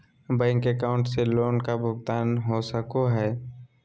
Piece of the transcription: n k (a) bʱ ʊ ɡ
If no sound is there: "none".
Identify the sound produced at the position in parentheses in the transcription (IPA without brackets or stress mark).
a